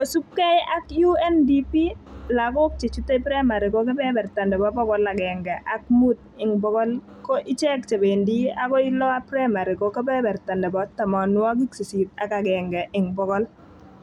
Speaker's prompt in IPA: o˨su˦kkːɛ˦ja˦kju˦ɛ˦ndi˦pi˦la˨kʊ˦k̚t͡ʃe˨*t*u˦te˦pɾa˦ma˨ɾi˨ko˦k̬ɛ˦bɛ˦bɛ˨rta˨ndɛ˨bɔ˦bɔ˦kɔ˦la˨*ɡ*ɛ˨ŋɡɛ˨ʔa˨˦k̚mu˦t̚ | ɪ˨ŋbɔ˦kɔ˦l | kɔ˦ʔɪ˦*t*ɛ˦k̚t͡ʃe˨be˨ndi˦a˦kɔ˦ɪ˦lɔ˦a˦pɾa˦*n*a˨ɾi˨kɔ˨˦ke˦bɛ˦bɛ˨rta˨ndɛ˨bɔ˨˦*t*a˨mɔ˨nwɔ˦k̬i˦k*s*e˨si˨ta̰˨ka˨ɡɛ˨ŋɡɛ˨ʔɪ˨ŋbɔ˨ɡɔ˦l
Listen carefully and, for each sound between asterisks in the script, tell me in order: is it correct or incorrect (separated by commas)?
incorrect, correct, incorrect, incorrect, correct, correct